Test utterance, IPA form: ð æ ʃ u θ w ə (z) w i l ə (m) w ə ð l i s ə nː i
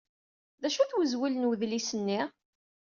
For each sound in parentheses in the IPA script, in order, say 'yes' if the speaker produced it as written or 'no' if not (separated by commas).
yes, no